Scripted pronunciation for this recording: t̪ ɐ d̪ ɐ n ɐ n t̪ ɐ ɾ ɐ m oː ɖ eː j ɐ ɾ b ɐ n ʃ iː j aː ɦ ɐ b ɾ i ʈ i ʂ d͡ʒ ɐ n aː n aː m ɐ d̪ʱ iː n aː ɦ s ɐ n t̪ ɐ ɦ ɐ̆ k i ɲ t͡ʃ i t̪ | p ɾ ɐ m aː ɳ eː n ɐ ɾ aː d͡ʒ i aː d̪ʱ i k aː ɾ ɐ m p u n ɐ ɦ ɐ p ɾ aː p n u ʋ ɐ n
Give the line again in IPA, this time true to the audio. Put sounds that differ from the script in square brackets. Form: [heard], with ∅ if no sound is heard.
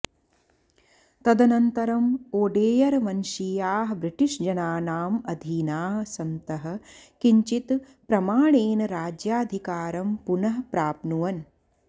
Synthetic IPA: t̪ ɐ d̪ ɐ n ɐ n t̪ ɐ ɾ ɐ m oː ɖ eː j ɐ ɾ [m] ɐ n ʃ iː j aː ɦ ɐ b ɾ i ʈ i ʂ d͡ʒ ɐ n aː n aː m ɐ d̪ʱ iː n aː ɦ s ɐ n t̪ ɐ ɦ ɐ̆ k i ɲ t͡ʃ i t̪ | p ɾ ɐ m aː ɳ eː n ɐ ɾ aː d͡ʒ [j] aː d̪ʱ i k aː ɾ ɐ m p u n ɐ ɦ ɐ p ɾ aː p n u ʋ ɐ n

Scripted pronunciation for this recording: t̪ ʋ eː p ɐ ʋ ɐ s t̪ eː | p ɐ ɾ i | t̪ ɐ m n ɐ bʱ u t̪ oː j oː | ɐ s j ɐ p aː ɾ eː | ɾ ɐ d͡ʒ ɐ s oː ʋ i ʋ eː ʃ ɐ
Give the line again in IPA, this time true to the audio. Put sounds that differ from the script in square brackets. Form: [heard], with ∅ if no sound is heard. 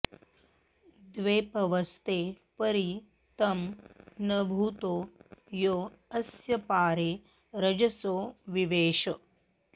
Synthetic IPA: [d̪] ʋ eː p ɐ ʋ ɐ s t̪ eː | p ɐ ɾ i | t̪ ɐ m n ɐ bʱ u t̪ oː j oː | ɐ s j ɐ p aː ɾ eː | ɾ ɐ d͡ʒ ɐ s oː ʋ i ʋ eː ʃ ɐ

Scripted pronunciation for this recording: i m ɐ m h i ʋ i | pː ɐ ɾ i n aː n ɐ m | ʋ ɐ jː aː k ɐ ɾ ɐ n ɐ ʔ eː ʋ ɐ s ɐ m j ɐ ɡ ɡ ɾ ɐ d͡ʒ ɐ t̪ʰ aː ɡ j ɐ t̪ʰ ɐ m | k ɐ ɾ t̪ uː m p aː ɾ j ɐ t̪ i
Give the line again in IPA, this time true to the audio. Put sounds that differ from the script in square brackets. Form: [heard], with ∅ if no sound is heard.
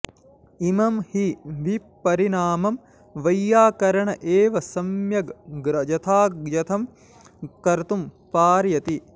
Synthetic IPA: i m ɐ m h i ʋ i | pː ɐ ɾ i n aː [m] ɐ m | ʋ ɐ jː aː k ɐ ɾ ɐ [ɳ] ɐ ʔ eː ʋ ɐ s ɐ m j ɐ ɡ ɡ ɾ ɐ d͡ʒ ɐ t̪ʰ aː ɡ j ɐ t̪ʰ ɐ m | k ɐ ɾ t̪ [u] m p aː ɾ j ɐ t̪ i

